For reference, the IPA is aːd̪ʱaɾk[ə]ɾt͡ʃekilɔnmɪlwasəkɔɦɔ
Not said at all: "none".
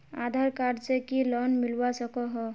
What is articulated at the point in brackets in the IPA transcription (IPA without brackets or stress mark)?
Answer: a